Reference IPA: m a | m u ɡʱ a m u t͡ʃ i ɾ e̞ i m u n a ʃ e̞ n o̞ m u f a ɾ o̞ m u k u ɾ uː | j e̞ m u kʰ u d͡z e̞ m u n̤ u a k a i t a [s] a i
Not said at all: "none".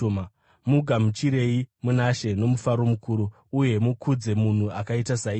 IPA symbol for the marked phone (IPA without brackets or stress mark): s